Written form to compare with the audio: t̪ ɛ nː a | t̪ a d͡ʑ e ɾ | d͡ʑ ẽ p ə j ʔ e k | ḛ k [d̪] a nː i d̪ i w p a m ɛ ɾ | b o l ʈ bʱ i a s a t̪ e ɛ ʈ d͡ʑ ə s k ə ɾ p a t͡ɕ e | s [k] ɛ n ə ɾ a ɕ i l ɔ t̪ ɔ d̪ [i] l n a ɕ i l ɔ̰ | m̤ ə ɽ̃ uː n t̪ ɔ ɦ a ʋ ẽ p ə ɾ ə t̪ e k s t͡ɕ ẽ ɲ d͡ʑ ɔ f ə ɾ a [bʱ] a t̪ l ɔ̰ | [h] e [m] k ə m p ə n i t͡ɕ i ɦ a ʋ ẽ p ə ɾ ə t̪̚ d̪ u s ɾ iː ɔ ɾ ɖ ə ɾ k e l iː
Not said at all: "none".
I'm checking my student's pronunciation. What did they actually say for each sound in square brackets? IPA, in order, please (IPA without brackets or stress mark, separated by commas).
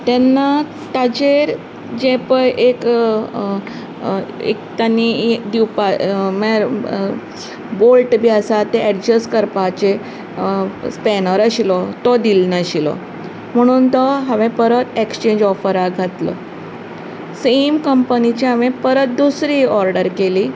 t̪, p, i, ɡʱ, s, m